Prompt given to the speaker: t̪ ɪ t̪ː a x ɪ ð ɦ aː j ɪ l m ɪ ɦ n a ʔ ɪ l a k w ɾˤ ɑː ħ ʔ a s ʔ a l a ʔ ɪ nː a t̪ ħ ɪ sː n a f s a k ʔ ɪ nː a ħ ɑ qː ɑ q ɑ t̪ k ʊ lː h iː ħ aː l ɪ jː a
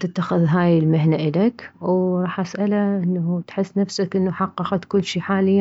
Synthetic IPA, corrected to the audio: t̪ ɪ t̪ː a x ɪ ð ɦ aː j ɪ l m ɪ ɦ n a ʔ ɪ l a k w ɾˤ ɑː ħ ʔ a s ʔ a l a ʔ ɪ nː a t̪ ħ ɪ sː n a f s a k ʔ ɪ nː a ħ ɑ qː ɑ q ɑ t̪ k ʊ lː ʃ iː ħ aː l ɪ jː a